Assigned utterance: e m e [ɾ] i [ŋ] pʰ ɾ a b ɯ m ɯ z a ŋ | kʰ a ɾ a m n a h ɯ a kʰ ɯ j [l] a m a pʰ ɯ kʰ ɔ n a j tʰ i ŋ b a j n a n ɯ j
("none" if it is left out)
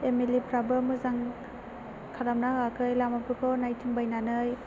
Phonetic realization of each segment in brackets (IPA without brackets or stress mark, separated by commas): l, none, l